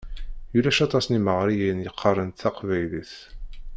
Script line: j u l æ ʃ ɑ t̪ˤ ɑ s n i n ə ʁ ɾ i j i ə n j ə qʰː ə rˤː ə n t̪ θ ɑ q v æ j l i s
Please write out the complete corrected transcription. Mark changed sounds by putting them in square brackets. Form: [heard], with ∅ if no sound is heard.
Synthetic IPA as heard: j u l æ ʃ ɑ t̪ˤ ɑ s n i [m] ə ʁ ɾ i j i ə n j ə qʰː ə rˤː ə n t̪ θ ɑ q v æ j l i [θ]